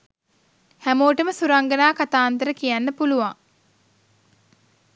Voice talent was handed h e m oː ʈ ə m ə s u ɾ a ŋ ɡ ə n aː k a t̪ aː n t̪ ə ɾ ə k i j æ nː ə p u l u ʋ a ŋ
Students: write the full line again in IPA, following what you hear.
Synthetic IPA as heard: h æ m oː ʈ ə m ə s u ɾ a ŋ ɡ ə n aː k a t̪ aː n t̪ ə ɾ ə k i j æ nː ə p u l u ʋ a ŋ